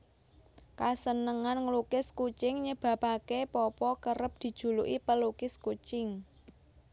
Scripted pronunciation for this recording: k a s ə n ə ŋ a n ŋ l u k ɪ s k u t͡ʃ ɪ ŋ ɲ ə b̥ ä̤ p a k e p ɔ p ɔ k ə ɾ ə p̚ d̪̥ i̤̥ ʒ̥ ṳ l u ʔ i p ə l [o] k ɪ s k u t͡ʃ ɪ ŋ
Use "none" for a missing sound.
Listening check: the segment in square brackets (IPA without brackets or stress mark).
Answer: u